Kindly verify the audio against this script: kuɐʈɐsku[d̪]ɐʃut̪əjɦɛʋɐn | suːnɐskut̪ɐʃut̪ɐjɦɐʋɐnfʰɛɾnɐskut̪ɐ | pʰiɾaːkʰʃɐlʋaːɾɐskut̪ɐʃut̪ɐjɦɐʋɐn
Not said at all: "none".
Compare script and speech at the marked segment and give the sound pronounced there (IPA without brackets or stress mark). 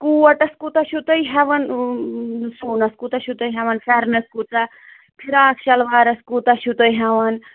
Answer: t̪